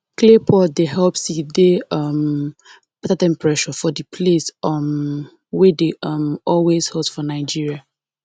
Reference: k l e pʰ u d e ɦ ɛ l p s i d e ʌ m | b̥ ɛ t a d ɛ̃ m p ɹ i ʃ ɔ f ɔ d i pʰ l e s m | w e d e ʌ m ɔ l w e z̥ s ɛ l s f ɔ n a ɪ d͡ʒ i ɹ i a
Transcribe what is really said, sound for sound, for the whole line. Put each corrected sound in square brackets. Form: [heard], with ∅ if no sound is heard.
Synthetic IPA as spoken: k l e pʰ [ɔ] d e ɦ ɛ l p s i d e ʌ m | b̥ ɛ t a d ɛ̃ m p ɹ [ɛ] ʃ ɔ f ɔ d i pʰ l e s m | w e d e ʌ m ɔ l w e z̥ [h] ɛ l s f ɔ n a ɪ d͡ʒ i ɹ i a